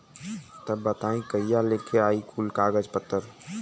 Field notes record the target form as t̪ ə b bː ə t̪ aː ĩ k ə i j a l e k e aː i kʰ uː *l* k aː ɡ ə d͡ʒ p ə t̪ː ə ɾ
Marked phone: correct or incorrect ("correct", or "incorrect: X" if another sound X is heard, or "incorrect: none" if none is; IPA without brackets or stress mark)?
correct